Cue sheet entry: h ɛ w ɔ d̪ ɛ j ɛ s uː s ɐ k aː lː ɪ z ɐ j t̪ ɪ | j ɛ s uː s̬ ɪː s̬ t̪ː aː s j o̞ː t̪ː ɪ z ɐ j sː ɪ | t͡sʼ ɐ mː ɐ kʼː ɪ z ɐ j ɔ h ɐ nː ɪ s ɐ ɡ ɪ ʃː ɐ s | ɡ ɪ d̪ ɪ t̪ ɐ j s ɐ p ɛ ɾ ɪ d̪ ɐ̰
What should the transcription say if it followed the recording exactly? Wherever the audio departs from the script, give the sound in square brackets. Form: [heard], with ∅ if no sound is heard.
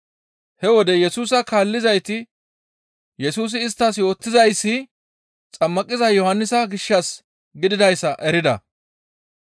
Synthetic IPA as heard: h ɛ w ɔ d̪ ɛ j ɛ s uː s ɐ k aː lː ɪ z ɐ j t̪ ɪ | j ɛ s uː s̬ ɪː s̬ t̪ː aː s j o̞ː t̪ː ɪ z ɐ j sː ɪ | t͡sʼ ɐ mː ɐ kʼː ɪ z ɐ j ɔ h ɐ nː ɪ s ɐ ɡ ɪ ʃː ɐ s | ɡ ɪ d̪ ɪ [d̪] ɐ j s ɐ [ʔ] ɛ ɾ ɪ d̪ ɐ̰